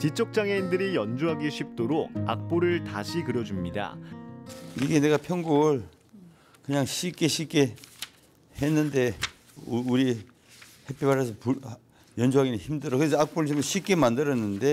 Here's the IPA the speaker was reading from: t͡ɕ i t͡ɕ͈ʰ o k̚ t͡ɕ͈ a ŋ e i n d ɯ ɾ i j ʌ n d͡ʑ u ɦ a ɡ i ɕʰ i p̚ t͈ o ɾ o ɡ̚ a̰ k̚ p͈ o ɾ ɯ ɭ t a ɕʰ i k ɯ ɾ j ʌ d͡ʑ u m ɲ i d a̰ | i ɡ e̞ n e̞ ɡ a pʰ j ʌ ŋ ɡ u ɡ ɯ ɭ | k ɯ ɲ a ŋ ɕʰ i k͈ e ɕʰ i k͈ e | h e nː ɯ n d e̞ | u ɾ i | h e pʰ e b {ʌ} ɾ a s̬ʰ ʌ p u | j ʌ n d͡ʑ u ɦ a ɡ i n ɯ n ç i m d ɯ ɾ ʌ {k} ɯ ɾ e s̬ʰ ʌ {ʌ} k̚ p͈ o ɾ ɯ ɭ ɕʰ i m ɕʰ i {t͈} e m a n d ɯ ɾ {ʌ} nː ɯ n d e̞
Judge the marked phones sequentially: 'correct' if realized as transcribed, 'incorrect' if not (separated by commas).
incorrect, correct, incorrect, incorrect, correct